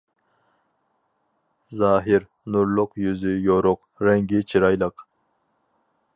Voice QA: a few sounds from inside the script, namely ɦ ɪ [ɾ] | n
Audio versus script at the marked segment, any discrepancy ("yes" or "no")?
no